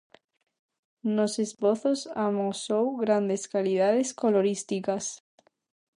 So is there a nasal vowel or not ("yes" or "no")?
no